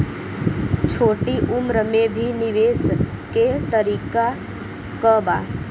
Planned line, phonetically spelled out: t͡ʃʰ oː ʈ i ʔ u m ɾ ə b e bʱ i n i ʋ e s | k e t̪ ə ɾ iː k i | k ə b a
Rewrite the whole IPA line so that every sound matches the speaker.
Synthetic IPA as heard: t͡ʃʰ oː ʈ i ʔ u m ɾ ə m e bʱ i n i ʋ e s | k e t̪ ə ɾ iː k a | k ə b a